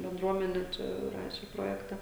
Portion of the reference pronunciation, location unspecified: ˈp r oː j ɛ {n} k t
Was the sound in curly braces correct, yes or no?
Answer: no